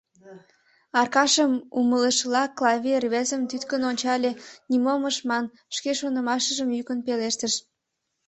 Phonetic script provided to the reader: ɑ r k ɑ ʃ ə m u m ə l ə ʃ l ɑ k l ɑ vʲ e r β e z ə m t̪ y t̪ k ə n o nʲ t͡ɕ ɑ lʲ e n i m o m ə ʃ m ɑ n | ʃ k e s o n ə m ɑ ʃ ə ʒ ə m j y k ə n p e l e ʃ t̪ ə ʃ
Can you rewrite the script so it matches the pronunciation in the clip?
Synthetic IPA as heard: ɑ r k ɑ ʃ ə m u m ə l ə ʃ l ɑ k l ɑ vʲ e r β e z ə m t̪ y t̪ k ə n o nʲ t͡ɕ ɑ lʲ e n i m o m ə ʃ m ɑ n | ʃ k e ʃ o n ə m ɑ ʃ ə ʒ ə m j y k ə n p e l e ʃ t̪ ə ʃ